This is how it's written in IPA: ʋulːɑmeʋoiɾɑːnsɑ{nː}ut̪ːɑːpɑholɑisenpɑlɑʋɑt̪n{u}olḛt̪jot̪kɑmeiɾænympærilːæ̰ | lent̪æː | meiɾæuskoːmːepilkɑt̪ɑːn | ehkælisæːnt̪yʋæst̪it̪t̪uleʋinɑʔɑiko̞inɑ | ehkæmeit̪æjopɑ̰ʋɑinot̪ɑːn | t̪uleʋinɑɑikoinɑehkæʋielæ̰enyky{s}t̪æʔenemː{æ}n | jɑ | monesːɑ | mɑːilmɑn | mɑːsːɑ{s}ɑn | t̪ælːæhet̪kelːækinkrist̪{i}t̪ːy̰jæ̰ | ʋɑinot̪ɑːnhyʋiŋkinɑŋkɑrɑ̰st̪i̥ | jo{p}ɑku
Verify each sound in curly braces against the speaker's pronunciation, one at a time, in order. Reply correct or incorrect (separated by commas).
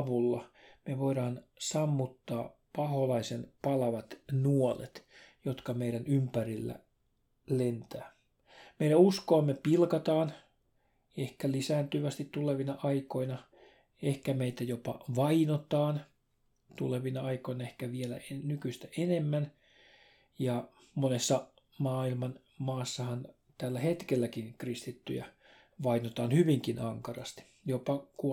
incorrect, correct, correct, correct, incorrect, correct, correct